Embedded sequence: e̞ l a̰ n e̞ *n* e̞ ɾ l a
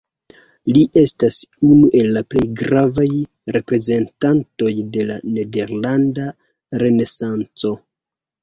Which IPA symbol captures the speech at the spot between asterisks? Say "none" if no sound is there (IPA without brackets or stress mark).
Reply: d